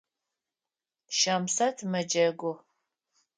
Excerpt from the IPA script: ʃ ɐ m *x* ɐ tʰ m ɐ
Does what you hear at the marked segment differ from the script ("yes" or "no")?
yes